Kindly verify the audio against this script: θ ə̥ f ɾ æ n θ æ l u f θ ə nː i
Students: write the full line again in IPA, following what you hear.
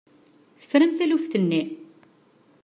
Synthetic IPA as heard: θ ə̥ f ɾ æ m θ æ l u f θ ə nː i